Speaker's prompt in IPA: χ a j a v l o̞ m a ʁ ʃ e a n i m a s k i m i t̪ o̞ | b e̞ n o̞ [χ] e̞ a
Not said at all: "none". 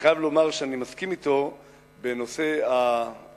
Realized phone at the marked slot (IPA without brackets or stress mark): s